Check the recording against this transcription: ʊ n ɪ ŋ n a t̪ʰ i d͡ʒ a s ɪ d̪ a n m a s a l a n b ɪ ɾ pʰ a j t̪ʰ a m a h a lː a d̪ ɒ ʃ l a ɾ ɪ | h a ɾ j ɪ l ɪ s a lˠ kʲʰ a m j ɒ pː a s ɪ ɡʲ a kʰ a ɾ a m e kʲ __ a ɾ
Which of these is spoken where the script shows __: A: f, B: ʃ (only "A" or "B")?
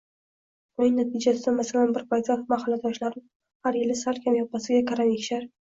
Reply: B